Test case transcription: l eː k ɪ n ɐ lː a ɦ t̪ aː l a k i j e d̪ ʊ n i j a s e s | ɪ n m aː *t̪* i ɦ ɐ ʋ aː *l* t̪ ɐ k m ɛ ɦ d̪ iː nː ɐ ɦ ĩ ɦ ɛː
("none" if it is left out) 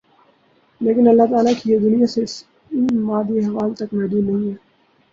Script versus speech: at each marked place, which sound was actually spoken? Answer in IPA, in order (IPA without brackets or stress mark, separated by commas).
d̪, l